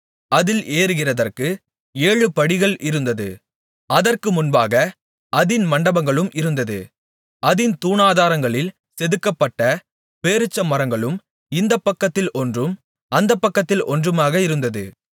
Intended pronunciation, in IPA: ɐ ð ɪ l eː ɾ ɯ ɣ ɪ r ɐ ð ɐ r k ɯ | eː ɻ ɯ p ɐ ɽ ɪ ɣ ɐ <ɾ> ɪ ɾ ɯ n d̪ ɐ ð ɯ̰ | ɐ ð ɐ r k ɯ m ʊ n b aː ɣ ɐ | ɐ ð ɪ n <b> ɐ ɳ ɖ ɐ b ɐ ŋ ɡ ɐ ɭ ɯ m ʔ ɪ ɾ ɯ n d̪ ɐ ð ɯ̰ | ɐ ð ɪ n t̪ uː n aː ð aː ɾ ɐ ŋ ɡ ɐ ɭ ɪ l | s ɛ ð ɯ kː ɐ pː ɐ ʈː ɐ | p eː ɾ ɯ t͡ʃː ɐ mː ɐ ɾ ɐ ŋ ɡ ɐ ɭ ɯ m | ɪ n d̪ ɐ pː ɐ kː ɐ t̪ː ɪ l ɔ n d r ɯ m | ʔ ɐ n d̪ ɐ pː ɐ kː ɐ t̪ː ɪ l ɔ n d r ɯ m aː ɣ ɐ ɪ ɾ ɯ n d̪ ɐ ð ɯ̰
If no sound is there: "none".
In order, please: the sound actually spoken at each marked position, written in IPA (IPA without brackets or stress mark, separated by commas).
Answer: ɭ, m